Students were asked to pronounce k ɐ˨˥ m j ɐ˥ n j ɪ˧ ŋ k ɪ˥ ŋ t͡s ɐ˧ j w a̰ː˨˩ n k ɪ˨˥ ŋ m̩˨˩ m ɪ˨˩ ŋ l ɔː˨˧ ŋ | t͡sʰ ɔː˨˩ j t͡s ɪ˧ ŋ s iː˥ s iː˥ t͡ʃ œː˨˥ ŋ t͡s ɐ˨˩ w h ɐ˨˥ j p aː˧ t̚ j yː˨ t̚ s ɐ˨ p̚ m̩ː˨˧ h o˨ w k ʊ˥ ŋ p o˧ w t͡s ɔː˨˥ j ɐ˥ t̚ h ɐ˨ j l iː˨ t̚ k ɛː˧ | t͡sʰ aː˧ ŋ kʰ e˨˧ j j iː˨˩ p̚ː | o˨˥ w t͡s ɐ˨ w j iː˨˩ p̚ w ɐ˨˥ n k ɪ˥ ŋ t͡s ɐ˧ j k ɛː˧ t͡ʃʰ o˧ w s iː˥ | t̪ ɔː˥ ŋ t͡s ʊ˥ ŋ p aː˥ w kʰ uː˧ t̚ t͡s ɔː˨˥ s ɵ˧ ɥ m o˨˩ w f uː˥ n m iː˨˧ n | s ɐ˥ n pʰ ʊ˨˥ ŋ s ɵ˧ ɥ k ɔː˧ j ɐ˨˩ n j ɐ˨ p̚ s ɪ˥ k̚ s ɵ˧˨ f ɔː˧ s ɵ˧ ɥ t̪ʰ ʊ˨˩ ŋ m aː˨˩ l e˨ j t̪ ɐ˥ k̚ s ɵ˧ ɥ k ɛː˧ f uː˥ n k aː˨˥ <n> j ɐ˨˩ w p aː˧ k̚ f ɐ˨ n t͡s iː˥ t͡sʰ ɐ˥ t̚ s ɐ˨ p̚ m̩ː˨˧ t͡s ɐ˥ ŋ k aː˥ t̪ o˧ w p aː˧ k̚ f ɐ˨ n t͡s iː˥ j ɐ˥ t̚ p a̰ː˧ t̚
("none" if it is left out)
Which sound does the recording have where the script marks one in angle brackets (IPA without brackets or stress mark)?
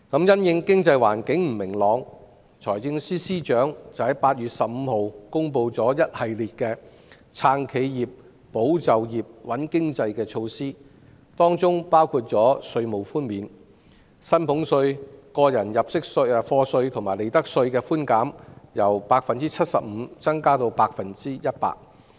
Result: m